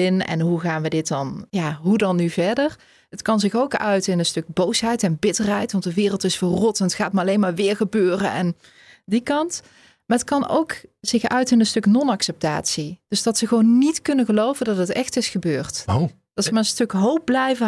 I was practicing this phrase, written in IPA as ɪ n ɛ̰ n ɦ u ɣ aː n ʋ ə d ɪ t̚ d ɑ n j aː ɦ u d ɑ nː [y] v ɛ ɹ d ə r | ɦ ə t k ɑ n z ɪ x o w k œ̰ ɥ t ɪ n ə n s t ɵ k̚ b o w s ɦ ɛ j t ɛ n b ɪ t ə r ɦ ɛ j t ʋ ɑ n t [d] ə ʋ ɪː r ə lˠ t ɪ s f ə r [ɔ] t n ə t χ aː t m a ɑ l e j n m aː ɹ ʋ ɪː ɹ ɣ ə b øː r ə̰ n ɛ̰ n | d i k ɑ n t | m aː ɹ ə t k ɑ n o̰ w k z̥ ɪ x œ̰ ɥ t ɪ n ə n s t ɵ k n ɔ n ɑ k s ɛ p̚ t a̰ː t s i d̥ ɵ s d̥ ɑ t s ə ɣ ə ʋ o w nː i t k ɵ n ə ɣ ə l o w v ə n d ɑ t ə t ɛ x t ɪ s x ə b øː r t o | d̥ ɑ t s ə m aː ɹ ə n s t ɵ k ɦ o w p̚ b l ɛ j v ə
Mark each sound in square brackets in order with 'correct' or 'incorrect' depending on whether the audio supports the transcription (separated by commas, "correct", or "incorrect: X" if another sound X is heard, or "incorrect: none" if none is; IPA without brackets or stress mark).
correct, correct, correct